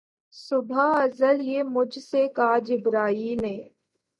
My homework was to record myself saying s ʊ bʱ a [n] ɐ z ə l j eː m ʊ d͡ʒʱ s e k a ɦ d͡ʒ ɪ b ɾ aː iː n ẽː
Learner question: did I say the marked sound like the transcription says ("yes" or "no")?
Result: no